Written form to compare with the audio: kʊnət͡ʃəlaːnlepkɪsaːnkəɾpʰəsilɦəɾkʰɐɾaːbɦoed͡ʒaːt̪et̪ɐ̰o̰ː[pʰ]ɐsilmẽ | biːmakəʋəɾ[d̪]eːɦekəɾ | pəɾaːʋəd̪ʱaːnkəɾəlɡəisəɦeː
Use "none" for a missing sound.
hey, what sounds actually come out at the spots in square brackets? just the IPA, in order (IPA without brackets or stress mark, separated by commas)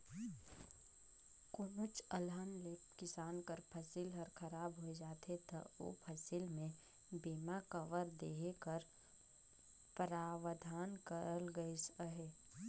pʰ, d̪